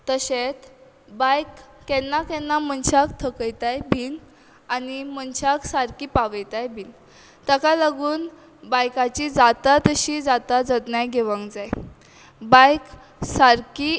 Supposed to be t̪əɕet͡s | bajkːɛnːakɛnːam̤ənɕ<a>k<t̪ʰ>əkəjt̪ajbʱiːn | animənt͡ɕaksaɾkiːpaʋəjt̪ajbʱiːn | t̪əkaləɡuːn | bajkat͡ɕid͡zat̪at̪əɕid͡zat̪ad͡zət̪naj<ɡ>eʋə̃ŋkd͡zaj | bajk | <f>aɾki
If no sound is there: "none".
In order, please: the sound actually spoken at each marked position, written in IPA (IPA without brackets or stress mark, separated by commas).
a, t̪ʰ, ɡ, s